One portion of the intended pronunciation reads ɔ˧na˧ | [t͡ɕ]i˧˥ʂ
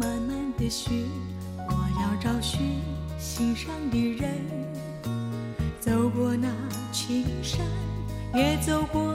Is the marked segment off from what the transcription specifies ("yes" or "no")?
yes